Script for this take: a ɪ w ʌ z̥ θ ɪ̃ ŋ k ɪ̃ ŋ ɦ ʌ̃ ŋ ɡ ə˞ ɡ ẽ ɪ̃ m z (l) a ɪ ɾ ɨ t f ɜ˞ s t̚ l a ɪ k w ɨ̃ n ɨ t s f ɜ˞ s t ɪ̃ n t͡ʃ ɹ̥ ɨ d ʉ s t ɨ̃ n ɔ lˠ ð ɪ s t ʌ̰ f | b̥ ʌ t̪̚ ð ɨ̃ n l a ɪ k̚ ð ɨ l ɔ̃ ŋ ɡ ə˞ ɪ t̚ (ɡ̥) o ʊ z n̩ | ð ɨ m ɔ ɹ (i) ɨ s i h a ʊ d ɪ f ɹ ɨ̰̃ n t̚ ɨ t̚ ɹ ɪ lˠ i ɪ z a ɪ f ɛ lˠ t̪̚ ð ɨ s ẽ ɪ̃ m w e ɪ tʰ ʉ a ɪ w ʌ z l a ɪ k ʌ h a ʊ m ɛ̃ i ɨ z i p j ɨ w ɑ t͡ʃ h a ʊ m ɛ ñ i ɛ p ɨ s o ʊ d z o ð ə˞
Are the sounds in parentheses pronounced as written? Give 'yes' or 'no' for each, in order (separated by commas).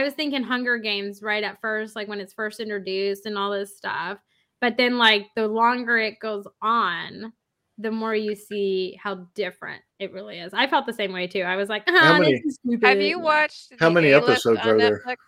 no, yes, no